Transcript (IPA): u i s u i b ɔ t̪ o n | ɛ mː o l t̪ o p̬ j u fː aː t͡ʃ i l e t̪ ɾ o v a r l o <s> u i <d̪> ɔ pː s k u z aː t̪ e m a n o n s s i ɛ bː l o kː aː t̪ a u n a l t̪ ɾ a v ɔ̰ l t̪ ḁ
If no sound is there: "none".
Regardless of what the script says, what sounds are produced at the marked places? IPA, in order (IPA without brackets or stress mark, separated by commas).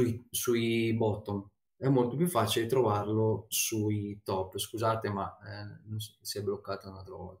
s, t̪